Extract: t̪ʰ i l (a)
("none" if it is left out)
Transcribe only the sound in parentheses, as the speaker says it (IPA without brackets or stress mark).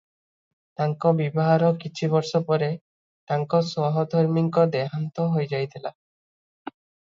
a